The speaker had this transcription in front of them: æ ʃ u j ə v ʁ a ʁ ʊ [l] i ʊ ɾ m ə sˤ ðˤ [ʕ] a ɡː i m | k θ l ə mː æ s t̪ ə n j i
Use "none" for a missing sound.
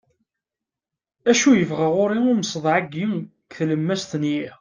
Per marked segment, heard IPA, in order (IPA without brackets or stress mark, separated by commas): ɾ, ʕ